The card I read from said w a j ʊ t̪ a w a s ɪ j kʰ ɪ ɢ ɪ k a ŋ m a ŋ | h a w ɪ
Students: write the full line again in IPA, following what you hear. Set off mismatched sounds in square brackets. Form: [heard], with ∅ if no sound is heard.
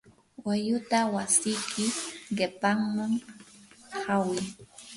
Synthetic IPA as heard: w a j ʊ t̪ a w a s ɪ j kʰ ɪ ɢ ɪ [p] a ŋ m a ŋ | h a w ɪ